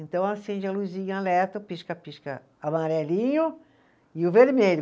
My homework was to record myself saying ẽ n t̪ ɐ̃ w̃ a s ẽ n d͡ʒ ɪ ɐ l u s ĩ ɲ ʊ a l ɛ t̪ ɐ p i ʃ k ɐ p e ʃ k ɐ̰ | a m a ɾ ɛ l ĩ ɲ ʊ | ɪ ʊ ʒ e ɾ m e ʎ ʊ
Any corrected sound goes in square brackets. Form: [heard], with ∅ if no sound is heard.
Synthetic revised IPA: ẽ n t̪ ɐ̃ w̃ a s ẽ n d͡ʒ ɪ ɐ l u [z] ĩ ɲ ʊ a l ɛ t̪ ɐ p i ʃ k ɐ p [i] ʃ k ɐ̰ | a m a ɾ ɛ l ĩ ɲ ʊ | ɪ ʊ [v] e ɾ m e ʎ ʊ